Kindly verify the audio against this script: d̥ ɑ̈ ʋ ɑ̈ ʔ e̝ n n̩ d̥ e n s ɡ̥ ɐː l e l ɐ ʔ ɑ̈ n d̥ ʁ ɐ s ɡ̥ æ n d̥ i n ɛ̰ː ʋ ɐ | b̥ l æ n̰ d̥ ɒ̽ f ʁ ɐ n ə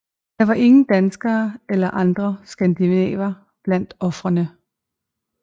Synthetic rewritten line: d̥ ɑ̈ ʋ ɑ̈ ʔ e̝ ŋ n̩ d̥ æ n s ɡ̥ ɐː e l ɐ ʔ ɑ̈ n d̥ ʁ ɐ s ɡ̥ æ n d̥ i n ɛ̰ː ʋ ɐ | b̥ l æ n̰ d̥ ɒ̽ f ʁ ɐ n ə